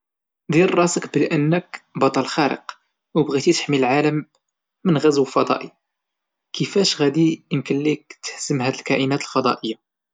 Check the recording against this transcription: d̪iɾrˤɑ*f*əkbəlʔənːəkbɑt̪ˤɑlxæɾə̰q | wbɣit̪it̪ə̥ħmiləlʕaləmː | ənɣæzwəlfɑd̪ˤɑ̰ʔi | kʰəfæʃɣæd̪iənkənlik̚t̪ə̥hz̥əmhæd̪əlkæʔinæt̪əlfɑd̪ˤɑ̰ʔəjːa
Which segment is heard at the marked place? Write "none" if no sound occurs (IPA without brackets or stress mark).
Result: s